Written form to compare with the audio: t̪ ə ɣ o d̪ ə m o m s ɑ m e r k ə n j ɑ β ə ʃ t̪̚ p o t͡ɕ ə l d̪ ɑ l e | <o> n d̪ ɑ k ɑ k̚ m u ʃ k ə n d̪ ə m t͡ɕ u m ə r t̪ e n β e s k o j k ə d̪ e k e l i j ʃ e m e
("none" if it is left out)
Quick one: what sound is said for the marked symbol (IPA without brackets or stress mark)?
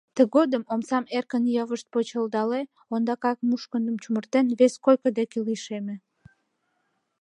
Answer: o